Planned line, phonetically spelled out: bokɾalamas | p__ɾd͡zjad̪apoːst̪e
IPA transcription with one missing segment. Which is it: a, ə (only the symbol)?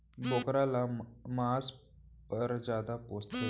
ə